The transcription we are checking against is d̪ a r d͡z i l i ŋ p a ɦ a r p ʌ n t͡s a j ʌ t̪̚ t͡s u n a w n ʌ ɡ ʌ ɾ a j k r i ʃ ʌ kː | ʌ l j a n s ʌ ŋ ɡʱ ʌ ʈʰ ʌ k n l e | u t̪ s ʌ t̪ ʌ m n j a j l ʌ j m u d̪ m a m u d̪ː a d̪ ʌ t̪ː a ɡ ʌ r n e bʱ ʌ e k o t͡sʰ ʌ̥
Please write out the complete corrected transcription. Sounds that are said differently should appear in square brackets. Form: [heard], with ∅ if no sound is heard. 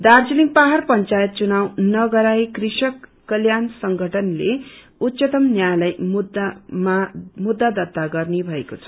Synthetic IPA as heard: d̪ a r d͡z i l i ŋ p a ɦ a r p ʌ n t͡s a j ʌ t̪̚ t͡s u n a w n ʌ ɡ ʌ ɾ a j k r i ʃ ʌ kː | ʌ l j a n s ʌ ŋ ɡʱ ʌ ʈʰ ʌ [∅] n l e | u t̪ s ʌ t̪ ʌ m n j a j l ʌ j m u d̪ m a m u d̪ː a d̪ ʌ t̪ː a ɡ ʌ r n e bʱ ʌ e k o t͡sʰ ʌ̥